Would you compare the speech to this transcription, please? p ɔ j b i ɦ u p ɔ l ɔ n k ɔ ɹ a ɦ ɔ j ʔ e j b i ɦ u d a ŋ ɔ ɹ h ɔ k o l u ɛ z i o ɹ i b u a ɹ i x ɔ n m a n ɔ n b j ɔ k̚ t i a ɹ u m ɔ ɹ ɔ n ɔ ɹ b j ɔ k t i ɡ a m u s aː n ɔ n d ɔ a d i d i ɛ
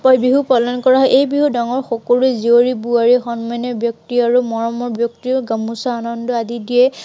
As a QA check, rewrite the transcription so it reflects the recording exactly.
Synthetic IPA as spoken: p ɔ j b i ɦ u p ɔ l ɔ n k ɔ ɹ a ɦ ɔ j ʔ e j b i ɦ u d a ŋ ɔ ɹ x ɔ k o l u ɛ z i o ɹ i b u a ɹ i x ɔ n m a n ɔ b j ɔ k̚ t i a ɹ u m ɔ ɹ ɔ m ɔ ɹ b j ɔ k t i ɡ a m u s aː n ɔ n d ɔ a d i d i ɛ